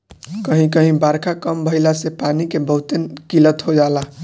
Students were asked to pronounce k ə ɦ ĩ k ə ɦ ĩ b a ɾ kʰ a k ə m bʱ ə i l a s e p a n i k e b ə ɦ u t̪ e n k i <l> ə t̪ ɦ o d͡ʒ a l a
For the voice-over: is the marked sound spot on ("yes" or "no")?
yes